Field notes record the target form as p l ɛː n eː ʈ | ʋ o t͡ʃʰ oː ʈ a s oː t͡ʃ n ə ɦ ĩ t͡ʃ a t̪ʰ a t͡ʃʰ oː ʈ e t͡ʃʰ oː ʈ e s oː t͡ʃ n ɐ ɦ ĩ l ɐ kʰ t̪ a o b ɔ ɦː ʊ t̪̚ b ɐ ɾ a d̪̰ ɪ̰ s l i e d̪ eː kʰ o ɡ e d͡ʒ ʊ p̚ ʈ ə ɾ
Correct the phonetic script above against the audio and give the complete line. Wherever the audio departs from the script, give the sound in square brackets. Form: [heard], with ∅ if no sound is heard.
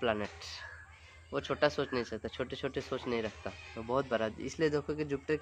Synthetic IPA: p l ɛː n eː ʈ | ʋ o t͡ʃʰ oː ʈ a s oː t͡ʃ n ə ɦ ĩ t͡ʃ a [t̪] a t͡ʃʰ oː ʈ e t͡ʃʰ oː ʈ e s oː t͡ʃ n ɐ ɦ ĩ [ɾ] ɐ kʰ t̪ a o b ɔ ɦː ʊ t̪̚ b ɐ ɾ a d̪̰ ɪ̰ s l i e d̪ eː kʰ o [k] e d͡ʒ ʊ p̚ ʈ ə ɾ

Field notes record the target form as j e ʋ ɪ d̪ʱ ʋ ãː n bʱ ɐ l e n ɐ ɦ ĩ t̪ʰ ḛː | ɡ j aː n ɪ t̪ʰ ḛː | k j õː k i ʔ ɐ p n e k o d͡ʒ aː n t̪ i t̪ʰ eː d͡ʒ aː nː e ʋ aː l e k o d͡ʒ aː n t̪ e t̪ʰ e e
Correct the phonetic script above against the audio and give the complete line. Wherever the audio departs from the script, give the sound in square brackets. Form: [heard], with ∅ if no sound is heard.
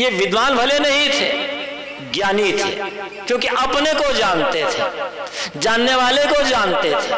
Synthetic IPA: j e ʋ ɪ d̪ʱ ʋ [aː] n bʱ ɐ l e n ɐ ɦ ĩ t̪ʰ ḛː | ɡ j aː n [i] t̪ʰ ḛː | k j õː k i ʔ ɐ p n e k o d͡ʒ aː n t̪ [e] t̪ʰ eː d͡ʒ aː nː e ʋ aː l e k o d͡ʒ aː n t̪ e t̪ʰ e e

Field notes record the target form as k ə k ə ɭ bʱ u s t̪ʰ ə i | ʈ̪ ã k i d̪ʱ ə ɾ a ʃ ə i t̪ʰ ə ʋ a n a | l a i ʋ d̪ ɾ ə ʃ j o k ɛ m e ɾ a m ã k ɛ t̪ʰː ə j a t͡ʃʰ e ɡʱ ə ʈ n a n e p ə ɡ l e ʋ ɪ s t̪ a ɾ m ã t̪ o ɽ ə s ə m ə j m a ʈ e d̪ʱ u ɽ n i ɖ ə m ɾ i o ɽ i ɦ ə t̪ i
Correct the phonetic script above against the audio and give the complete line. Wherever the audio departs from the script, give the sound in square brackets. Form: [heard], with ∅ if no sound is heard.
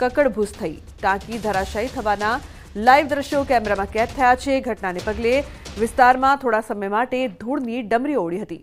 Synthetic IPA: k ə k ə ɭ bʱ u s t̪ʰ ə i | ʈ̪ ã k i d̪ʱ ə ɾ a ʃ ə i t̪ʰ ə ʋ a n a | l a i ʋ d̪ ɾ ə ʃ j o k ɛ m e ɾ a m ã k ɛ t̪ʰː ə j a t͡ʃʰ e ɡʱ ə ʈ n a n e p ə ɡ l e ʋ ɪ s t̪ a ɾ m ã [t̪ʰ] o ɽ [a] s ə m ə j m a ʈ e d̪ʱ u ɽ n i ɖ ə m ɾ i o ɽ i ɦ ə t̪ i

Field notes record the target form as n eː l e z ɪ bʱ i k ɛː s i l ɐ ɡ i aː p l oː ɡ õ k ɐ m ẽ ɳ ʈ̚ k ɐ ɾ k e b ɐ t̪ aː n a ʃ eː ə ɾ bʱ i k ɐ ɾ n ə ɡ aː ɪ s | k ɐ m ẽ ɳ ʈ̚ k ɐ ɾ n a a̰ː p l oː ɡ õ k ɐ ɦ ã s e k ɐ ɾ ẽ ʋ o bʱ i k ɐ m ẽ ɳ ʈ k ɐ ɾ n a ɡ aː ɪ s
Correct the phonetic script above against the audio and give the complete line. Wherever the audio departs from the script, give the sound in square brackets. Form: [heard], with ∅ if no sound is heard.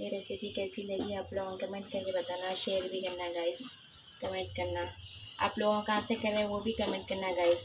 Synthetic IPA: [m] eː [ɾ] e [s] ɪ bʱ i k ɛː s i l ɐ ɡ i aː p l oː ɡ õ k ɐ m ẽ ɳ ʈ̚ k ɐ ɾ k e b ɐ t̪ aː n a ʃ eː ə ɾ bʱ i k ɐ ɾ n [a] ɡ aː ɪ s | k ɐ m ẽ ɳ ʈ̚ k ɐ ɾ n a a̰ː p l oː ɡ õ k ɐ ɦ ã s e k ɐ ɾ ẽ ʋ o bʱ i k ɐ m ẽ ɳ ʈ k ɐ ɾ n a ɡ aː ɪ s

